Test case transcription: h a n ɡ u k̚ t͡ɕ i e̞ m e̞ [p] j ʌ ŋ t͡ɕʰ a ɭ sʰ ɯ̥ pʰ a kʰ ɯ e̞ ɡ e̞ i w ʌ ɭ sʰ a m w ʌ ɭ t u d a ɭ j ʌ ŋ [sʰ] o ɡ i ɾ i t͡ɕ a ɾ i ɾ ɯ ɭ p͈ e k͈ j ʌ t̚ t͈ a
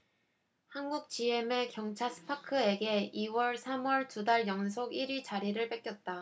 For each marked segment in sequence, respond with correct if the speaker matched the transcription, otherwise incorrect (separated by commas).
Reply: incorrect, correct